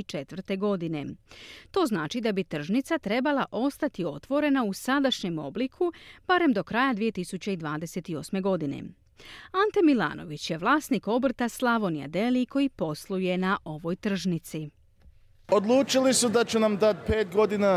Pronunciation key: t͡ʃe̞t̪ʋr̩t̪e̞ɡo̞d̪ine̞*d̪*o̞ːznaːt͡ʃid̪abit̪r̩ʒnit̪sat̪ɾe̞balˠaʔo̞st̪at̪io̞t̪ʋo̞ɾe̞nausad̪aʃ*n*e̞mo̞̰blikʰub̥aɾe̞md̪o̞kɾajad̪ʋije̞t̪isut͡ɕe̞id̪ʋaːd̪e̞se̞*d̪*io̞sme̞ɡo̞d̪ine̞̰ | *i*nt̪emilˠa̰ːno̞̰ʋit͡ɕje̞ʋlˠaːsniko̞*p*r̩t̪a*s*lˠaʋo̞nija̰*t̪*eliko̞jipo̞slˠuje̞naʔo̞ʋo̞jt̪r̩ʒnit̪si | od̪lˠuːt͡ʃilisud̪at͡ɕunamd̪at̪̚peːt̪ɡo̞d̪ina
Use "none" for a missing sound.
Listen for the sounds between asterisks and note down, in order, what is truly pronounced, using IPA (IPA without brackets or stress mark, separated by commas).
t̪, ɲ, t̪, a, b, s, d̪